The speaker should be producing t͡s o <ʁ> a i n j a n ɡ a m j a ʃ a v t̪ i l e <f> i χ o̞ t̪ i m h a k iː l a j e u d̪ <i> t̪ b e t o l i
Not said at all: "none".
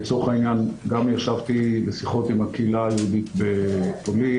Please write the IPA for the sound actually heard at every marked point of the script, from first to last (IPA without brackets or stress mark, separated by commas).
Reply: χ, s, i